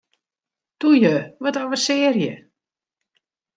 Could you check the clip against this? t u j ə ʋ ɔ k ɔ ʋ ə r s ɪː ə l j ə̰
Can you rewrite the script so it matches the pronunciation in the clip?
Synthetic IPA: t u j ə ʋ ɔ t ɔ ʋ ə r s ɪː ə r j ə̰